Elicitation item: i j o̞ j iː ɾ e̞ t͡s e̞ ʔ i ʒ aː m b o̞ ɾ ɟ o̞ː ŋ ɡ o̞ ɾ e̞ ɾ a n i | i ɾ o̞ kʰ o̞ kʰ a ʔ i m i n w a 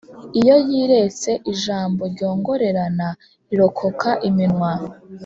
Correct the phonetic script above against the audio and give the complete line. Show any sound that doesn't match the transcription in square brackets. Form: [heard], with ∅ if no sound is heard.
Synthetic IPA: i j o̞ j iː ɾ e̞ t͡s e̞ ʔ i ʒ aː m b o̞ ɾ ɟ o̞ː ŋ ɡ o̞ ɾ e̞ ɾ a n [a] | i ɾ o̞ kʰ o̞ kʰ a ʔ i m i n w a